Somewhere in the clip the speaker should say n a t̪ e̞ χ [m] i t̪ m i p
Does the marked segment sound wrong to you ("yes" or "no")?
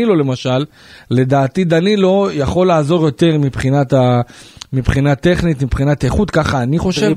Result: yes